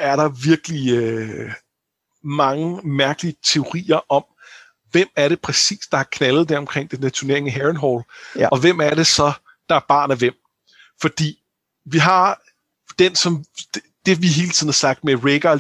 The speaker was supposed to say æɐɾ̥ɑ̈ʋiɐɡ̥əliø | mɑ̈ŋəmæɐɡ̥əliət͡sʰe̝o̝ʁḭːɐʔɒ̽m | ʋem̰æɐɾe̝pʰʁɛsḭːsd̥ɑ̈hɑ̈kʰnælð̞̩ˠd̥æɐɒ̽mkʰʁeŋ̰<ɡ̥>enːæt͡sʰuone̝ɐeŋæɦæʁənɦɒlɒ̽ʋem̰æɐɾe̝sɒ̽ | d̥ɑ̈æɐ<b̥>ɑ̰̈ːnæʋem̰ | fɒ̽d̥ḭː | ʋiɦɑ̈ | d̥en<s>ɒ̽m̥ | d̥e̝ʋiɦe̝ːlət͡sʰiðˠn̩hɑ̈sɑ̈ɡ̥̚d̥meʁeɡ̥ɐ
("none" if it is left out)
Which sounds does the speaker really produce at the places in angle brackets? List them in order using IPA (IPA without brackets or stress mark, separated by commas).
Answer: d̥, b̥, s